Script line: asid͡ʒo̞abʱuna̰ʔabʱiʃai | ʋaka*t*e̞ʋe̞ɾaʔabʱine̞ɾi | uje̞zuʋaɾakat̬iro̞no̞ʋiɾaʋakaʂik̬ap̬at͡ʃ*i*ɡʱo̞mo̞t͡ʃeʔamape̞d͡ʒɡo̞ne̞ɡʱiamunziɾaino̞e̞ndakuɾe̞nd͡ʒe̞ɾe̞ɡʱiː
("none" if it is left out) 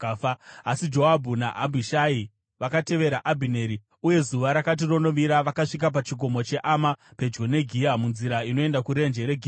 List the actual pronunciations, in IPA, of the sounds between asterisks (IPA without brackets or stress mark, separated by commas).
t, i